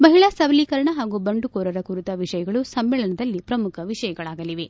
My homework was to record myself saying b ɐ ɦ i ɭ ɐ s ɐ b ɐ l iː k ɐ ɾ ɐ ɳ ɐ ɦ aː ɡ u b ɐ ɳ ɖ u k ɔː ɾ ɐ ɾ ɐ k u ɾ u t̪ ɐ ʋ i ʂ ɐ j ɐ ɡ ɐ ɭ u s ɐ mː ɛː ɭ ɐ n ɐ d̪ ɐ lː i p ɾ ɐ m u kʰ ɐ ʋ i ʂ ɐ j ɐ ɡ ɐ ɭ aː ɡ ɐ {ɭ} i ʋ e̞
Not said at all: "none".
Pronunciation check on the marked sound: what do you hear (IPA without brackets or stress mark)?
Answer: l